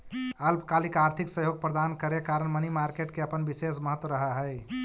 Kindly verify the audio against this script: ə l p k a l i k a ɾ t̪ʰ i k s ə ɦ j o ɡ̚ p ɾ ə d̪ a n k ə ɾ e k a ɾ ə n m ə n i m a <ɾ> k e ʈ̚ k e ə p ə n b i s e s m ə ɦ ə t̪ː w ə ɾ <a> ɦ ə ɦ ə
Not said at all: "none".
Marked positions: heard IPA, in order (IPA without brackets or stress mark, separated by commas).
ɾ, ə